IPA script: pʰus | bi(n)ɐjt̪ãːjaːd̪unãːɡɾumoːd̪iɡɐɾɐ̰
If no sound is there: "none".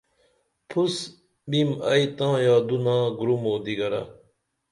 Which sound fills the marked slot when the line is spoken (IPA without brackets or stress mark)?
m